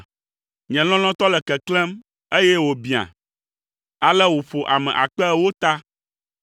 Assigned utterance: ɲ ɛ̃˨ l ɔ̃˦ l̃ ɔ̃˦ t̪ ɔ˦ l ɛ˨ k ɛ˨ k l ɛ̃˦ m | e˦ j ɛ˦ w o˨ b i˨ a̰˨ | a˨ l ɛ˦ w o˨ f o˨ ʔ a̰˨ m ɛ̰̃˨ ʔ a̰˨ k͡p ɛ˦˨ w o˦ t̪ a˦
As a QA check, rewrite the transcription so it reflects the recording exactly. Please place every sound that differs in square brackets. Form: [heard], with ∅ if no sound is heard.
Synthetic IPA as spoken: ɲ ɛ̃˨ l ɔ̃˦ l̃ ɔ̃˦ t̪ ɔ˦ l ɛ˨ k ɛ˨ k l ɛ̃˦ m | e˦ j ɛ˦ w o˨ b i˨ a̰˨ | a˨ l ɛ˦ w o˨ f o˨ ʔ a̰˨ m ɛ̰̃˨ ʔ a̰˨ k͡p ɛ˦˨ w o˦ t̪ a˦